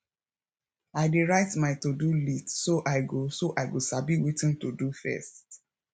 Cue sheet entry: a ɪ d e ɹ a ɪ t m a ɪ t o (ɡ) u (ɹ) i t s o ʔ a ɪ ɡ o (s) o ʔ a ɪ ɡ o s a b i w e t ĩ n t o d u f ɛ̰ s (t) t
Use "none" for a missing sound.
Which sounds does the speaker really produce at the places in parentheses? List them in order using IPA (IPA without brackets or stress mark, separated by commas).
d, l, s, t